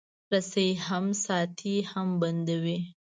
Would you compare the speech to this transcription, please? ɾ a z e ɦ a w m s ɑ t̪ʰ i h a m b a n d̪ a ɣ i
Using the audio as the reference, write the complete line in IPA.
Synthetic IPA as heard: ɾ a s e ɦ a m s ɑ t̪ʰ i h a m b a n d̪ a w i